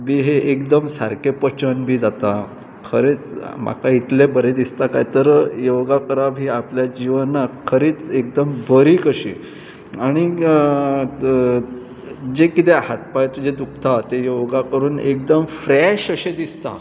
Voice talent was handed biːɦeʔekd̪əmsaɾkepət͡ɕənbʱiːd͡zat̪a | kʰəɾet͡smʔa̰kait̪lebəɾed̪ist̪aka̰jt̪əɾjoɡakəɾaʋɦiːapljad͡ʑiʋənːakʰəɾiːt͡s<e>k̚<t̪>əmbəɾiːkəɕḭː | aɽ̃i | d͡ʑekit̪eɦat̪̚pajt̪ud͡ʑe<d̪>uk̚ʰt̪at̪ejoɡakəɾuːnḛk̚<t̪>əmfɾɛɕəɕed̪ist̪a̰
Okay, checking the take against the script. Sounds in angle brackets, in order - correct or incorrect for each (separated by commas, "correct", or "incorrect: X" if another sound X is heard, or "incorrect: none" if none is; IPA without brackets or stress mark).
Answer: correct, incorrect: d̪, correct, incorrect: d̪